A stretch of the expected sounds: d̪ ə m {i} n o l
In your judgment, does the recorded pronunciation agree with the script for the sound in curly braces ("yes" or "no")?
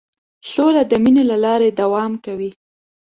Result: yes